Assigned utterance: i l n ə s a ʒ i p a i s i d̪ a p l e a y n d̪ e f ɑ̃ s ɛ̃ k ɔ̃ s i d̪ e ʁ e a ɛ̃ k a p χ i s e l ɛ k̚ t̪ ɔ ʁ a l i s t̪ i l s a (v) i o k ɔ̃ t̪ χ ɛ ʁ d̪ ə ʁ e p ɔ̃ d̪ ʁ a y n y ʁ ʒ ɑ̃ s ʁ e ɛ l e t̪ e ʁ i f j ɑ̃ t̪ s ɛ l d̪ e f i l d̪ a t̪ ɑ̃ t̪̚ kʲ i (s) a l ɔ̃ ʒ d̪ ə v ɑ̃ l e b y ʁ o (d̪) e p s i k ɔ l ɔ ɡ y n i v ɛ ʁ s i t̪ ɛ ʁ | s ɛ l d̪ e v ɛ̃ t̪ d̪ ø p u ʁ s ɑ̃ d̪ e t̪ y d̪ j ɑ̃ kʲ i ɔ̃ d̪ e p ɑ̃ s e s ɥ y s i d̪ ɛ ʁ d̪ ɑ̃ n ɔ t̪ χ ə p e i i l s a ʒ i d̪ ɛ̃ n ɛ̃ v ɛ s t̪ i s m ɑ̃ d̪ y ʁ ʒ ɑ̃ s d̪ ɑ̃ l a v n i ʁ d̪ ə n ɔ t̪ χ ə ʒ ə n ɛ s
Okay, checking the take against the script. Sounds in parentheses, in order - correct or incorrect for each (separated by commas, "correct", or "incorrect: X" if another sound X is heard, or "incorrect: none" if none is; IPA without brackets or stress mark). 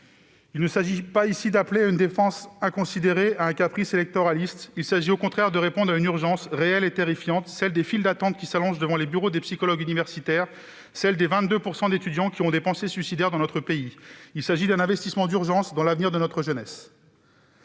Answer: incorrect: ʒ, correct, correct